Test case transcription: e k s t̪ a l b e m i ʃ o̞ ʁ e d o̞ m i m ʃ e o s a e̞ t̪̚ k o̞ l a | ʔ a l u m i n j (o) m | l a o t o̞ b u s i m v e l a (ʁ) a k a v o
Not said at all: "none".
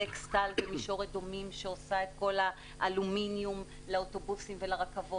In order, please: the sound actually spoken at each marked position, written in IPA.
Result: u, ʁ

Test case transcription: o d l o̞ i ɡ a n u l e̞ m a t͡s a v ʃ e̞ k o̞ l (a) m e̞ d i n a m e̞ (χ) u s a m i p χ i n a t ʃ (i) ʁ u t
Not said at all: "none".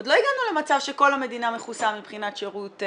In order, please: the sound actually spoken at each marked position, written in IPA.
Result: a, χ, e

